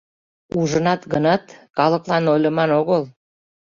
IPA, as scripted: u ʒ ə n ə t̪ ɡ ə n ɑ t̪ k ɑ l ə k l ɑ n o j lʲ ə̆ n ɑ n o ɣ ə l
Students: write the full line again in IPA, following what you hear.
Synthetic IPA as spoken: u ʒ ə n ɑ t̪ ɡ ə n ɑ t̪ k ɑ l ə k l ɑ n o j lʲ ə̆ m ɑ n o ɣ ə l